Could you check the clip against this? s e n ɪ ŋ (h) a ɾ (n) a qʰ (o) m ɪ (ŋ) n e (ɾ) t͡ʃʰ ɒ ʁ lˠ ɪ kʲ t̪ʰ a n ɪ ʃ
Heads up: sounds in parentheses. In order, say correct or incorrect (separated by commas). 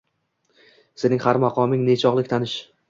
correct, incorrect, incorrect, correct, incorrect